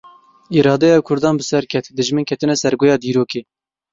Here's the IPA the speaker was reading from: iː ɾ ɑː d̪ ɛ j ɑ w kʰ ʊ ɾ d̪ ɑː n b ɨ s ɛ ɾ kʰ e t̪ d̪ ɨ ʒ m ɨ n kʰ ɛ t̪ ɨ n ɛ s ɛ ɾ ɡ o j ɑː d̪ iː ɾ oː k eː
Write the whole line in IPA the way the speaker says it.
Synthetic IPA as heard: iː ɾ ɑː d̪ ɛ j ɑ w kʰ ʊ ɾ d̪ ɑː n b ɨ s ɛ ɾ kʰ ɛ t̪ d̪ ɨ ʒ m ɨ n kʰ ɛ t̪ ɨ n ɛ s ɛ ɾ ɡ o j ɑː d̪ iː ɾ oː k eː